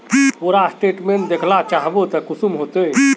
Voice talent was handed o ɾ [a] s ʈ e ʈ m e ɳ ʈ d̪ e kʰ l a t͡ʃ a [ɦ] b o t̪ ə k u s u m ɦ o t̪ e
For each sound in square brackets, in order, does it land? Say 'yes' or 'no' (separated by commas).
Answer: yes, yes